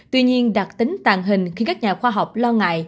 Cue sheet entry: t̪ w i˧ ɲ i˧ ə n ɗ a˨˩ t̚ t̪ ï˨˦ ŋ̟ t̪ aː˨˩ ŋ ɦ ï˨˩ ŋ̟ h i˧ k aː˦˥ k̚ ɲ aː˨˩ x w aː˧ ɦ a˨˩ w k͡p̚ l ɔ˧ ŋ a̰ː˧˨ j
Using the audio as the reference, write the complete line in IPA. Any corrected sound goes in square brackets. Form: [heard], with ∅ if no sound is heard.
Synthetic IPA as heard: t̪ w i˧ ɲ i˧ ə n ɗ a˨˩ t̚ t̪ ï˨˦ ŋ̟ t̪ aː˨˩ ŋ ɦ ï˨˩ ŋ̟ [x] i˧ k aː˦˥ k̚ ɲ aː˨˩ x w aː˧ ɦ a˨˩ w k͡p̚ l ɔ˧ ŋ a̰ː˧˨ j